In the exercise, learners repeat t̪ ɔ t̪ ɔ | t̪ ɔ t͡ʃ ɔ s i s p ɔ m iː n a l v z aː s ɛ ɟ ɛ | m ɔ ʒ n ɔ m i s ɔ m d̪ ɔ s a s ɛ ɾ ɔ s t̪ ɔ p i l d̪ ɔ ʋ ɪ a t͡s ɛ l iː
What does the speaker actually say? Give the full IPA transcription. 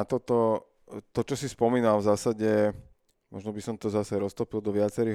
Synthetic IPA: t̪ ɔ t̪ ɔ | t̪ ɔ t͡ʃ ɔ s i s p ɔ m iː n a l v z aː s a ɟ ɛ | m ɔ ʒ n ɔ b i s ɔ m t̪ ɔ z a s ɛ ɾ ɔ s t̪ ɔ p i l d̪ ɔ ʋ ɪ a t͡s ɛ ɾ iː